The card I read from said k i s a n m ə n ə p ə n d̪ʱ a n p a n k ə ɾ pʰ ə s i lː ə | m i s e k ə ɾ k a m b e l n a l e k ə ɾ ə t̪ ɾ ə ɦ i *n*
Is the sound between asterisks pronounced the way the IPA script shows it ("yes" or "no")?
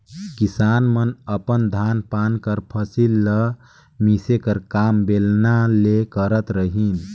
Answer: yes